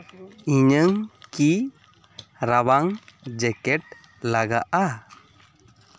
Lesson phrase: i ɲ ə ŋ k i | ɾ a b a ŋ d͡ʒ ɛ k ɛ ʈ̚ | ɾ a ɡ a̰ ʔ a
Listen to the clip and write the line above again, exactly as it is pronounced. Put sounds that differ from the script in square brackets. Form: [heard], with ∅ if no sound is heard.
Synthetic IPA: i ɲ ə ŋ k i | ɾ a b a ŋ d͡ʒ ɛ k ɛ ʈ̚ | [l] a ɡ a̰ ʔ a